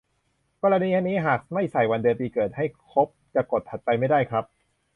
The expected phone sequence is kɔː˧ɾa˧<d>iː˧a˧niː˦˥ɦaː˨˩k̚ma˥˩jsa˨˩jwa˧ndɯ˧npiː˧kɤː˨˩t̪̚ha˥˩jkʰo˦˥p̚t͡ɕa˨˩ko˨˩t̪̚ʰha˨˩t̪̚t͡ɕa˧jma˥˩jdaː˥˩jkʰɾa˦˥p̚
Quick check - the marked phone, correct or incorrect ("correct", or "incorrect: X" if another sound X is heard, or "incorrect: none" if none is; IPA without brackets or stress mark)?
incorrect: n